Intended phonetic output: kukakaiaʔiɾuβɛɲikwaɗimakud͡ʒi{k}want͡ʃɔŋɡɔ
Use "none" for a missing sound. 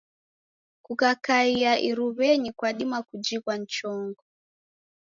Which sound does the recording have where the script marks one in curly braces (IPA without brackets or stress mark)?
k